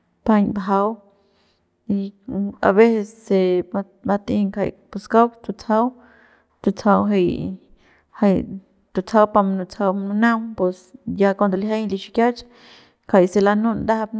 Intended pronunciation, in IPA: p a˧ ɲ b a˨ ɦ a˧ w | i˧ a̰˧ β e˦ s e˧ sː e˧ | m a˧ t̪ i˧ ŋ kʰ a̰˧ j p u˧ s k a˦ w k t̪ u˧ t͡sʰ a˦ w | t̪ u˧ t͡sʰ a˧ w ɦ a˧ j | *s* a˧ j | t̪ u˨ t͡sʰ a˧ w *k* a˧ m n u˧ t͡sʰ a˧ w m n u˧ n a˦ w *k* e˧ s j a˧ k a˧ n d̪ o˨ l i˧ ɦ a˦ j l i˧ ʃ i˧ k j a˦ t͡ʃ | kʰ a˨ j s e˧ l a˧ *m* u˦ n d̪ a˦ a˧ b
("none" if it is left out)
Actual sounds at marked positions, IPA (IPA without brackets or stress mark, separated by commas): h, p, p, n